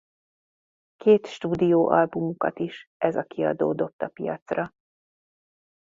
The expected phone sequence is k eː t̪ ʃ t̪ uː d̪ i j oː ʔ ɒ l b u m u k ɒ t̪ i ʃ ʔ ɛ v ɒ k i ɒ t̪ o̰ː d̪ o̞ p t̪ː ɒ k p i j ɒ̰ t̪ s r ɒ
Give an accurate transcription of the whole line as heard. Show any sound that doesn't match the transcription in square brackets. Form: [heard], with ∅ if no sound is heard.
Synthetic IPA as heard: k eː t̪ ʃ t̪ uː d̪ i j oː ʔ ɒ l b u m u k ɒ t̪ i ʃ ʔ ɛ [z] ɒ k i ɒ [d̪] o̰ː d̪ o̞ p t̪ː ɒ [∅] p i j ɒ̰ t̪ s r ɒ